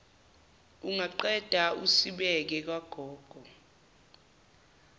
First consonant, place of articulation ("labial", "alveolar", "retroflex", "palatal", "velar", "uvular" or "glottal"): velar